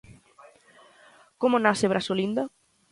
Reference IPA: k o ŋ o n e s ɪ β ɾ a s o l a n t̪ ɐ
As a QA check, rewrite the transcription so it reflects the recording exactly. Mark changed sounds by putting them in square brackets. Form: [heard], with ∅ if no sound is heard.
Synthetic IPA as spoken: k o [m] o n [a] s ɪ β ɾ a s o l [i] n [d̪] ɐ

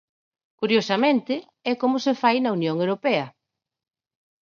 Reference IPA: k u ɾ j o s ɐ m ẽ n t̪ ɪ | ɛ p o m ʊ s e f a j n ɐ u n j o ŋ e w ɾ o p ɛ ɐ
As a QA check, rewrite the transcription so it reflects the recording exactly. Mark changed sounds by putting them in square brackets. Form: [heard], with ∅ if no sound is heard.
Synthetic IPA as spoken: k u ɾ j o s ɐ m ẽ n t̪ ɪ | ɛ [k] o m ʊ s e f a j n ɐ u n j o ŋ e w ɾ o p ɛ ɐ

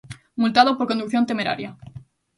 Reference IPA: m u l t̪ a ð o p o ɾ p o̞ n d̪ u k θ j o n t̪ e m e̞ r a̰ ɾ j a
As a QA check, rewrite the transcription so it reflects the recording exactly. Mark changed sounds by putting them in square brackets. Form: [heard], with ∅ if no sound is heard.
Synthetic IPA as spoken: m u l t̪ a ð o p o ɾ [k] o̞ n d̪ u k θ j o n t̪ e m e̞ [ɾ] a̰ ɾ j a

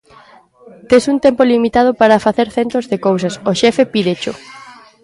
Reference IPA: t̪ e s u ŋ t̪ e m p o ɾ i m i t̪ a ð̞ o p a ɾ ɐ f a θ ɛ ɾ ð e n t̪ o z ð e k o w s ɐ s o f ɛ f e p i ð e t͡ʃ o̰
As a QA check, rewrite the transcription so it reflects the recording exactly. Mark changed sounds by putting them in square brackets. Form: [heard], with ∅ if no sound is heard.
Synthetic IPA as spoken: t̪ e s u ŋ t̪ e m p o [l] i m i t̪ a ð̞ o p a ɾ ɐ f a θ [e] ɾ [θ] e n t̪ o z ð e k o w s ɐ s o [ʃ] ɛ f e p i ð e t͡ʃ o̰

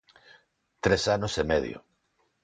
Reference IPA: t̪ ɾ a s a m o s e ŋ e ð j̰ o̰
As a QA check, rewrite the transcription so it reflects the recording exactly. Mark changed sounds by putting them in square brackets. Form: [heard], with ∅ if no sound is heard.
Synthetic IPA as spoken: t̪ ɾ [e] s a [n] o s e [m] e ð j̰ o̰

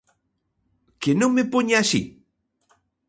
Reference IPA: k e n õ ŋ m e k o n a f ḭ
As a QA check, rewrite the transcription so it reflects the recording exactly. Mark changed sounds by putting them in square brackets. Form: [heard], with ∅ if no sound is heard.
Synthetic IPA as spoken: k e n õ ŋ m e [p] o [ɲ] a [s] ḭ

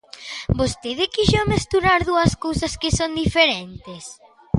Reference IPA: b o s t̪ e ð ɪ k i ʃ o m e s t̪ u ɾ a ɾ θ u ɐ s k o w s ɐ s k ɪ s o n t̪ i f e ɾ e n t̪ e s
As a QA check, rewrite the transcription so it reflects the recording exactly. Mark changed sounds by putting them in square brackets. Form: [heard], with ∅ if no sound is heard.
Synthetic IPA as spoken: b o s t̪ e ð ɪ k i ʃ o m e s t̪ u ɾ a ɾ [ð] u ɐ s k o w s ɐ s k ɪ s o n [d̪] i f e ɾ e n t̪ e s

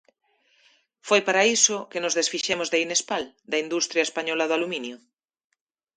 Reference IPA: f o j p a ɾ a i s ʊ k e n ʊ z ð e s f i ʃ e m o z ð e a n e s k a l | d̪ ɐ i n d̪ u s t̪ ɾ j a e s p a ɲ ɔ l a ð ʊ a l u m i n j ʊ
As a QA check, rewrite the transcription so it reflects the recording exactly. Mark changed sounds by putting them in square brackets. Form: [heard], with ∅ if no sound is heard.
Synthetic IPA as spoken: f o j p a ɾ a i s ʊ k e n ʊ z ð e s f i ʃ e m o z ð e [i] n e s [p] a l | d̪ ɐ i n d̪ u s t̪ ɾ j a e s p a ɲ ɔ l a ð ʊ a l u m i n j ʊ

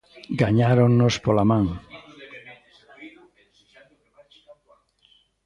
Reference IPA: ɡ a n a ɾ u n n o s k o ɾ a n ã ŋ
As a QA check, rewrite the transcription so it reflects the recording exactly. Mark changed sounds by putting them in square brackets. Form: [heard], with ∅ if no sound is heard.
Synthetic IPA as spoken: ɡ a [ɲ] a ɾ [o] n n o s [p] o [l] a [m] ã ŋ

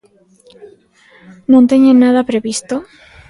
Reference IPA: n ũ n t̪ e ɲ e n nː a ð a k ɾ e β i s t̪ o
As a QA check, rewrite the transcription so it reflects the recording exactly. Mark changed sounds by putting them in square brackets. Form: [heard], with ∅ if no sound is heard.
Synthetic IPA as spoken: n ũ n t̪ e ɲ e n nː a ð a [p] ɾ e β i s t̪ o

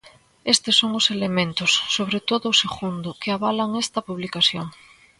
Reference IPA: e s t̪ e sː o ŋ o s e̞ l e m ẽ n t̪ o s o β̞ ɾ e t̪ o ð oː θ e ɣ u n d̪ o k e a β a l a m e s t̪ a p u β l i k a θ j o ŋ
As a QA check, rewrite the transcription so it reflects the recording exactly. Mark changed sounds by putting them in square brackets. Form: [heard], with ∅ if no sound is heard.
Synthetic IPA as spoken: e s t̪ e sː o ŋ o s e̞ l e m ẽ n t̪ o [sː] o β̞ ɾ e t̪ o ð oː [s] e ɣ u n d̪ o k e a β a l a [ŋ] e s t̪ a p u β l i k a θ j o ŋ

